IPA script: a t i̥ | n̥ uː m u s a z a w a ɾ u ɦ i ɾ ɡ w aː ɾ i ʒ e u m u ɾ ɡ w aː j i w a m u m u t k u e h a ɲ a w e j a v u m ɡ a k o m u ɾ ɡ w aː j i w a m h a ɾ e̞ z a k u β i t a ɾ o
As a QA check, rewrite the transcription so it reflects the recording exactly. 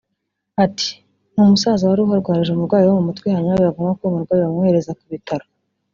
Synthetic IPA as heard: a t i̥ | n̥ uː m u s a z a w a ɾ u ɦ a ɾ ɡ w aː ɾ i ʒ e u m u ɾ ɡ w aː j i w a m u m u t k w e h a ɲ a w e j a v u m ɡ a k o m u ɾ ɡ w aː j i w a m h e ɾ e̞ z a k u β i t a ɾ o